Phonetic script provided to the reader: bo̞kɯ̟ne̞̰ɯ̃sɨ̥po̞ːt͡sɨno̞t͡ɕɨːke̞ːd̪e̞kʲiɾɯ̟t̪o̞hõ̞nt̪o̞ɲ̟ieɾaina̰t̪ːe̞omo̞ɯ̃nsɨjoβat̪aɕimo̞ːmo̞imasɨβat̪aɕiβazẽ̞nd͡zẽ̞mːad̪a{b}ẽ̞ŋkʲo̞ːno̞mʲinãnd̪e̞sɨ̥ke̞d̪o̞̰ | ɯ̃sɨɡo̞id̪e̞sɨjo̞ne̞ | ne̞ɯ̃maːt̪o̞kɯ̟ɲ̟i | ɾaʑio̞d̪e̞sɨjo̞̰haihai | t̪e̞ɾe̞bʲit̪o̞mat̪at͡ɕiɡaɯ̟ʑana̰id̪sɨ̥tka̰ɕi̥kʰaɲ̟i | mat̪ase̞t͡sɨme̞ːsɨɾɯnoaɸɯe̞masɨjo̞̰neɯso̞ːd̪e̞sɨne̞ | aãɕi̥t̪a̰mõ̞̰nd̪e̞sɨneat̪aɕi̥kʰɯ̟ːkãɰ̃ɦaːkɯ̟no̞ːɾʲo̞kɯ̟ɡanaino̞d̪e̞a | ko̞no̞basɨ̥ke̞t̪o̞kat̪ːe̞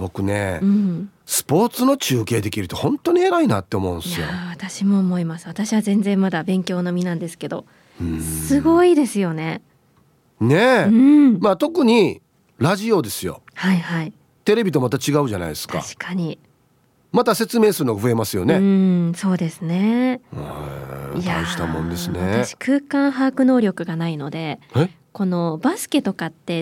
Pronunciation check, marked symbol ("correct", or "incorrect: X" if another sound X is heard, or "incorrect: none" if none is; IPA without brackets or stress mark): correct